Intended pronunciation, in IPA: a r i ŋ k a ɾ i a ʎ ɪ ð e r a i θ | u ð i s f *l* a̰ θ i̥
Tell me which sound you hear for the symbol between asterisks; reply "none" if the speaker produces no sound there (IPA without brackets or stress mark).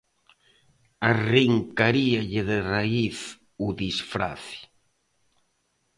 ɾ